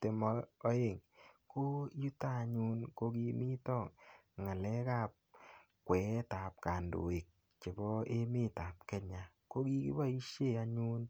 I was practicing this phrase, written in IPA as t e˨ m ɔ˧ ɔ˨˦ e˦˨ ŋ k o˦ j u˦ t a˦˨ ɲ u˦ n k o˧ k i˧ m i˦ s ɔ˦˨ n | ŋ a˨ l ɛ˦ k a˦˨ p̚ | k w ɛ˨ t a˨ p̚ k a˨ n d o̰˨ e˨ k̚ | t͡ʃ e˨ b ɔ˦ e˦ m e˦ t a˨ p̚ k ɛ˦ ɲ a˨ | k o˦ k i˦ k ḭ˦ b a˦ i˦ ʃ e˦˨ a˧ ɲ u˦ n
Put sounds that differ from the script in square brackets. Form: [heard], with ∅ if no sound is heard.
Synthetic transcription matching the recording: t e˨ m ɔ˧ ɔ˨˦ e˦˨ ŋ k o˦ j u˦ t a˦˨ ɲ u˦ n k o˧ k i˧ m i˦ [t] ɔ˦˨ [ŋ] | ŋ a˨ l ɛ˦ k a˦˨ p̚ | k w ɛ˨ t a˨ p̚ k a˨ n d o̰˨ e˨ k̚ | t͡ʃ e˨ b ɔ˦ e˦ m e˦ t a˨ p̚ k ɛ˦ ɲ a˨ | k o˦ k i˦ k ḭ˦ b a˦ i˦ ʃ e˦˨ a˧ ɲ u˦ n